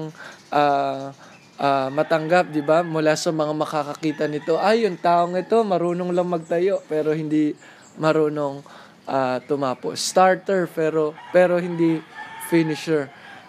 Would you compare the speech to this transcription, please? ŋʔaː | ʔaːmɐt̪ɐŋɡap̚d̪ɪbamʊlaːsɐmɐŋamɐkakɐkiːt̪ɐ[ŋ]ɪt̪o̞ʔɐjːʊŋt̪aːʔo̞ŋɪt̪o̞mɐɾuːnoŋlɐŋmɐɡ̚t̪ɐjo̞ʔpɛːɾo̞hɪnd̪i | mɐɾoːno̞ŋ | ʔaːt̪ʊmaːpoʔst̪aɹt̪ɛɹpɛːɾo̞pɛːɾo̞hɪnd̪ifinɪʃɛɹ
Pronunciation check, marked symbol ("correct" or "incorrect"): incorrect